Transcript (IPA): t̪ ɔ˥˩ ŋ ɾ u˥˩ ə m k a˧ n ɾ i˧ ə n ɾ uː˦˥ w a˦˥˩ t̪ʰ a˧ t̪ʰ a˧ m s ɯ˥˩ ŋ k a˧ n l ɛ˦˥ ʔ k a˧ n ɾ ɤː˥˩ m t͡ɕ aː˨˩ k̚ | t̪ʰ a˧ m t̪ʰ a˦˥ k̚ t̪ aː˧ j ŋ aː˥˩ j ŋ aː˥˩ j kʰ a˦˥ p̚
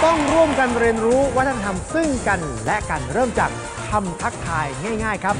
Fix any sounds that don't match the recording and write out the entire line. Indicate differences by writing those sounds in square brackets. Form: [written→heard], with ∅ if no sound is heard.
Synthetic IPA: t̪ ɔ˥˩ ŋ ɾ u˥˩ ə m k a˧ n ɾ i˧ ə n ɾ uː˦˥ w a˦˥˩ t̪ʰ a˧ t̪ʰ a˧ m s ɯ˥˩ ŋ k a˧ n l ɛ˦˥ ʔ k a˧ n ɾ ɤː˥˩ m t͡ɕ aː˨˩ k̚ | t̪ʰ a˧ m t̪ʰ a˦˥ k̚ [t̪→t̪ʰ] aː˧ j ŋ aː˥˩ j ŋ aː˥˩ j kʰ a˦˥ p̚